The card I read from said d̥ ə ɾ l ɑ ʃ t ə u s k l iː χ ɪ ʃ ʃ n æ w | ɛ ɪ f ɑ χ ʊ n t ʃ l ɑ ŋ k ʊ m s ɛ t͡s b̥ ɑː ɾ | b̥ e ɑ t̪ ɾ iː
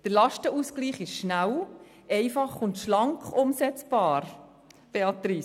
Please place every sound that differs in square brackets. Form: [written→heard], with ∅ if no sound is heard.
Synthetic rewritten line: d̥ ə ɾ l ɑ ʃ t ə u s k l iː χ ɪ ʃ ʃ n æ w | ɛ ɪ f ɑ χ ʊ n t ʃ l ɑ ŋ k ʊ m s ɛ t͡s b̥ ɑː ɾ | b̥ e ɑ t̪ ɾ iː